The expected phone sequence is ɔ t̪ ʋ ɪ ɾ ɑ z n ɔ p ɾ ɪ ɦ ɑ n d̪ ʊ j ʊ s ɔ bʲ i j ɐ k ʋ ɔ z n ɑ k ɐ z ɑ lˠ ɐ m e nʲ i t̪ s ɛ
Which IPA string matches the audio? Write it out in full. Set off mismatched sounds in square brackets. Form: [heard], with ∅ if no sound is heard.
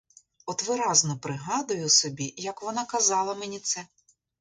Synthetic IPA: ɔ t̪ ʋ ɪ ɾ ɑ z n ɔ p ɾ ɪ ɦ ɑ [∅] d̪ ʊ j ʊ s ɔ bʲ i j ɐ k ʋ ɔ [∅] n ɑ k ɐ z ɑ lˠ ɐ m e nʲ i t̪ s ɛ